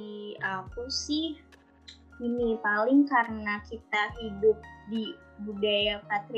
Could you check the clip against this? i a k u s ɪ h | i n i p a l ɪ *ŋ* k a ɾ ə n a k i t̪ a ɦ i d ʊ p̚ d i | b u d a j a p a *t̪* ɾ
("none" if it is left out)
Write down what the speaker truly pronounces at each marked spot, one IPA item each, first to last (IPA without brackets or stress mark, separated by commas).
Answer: ŋ, t̪